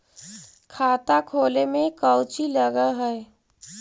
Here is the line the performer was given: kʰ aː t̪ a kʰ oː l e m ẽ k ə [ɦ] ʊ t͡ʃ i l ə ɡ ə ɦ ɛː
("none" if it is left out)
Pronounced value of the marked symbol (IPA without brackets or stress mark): none